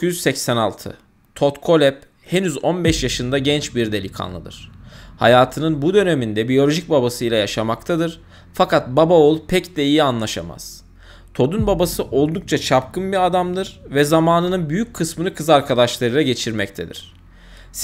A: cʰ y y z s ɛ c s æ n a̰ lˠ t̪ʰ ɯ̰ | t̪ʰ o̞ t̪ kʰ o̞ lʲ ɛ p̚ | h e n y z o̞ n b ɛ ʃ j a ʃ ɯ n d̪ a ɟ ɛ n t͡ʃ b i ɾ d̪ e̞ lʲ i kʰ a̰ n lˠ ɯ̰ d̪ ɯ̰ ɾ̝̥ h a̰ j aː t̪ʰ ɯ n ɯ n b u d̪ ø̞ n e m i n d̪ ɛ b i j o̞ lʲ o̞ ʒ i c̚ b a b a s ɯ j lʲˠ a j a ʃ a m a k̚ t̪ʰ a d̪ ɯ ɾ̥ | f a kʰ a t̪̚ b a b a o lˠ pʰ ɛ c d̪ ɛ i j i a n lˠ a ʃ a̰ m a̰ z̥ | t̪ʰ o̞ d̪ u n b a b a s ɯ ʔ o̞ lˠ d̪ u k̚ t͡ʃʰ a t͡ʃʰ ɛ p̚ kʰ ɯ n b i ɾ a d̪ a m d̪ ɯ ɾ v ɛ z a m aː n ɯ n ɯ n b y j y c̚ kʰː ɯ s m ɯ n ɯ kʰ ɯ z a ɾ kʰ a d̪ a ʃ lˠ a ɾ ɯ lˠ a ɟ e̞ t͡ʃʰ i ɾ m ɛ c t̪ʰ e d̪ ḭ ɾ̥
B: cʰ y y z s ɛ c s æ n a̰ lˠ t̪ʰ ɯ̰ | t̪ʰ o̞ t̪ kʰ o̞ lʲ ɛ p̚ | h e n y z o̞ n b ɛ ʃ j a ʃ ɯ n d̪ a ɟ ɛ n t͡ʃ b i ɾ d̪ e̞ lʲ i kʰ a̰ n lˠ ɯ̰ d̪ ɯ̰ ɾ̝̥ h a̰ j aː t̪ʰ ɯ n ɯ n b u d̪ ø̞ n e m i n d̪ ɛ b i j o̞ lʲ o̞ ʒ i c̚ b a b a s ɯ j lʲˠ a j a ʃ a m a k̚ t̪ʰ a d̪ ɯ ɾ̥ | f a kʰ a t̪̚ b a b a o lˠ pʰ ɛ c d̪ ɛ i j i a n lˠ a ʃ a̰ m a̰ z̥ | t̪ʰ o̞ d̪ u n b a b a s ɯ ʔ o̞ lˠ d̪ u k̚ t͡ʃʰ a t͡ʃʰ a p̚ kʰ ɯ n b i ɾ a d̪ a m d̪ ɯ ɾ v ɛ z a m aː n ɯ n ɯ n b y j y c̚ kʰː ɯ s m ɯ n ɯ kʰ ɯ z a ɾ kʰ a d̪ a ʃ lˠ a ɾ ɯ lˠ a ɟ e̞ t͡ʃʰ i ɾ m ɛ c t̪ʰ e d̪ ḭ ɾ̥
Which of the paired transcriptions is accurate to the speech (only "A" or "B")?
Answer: B